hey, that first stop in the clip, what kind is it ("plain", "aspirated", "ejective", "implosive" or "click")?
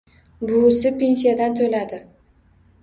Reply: plain